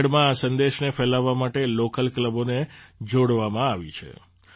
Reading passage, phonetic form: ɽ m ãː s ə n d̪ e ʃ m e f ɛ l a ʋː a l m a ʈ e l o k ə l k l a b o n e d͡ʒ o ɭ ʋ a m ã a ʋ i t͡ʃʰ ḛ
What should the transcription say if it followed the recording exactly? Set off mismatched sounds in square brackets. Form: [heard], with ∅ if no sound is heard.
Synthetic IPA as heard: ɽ m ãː s ə n d̪ e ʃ [n] e f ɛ l a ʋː a [∅] m a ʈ e l o k ə l k l [ə] b o n e d͡ʒ o [ɽ] ʋ a m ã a ʋ i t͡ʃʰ ḛ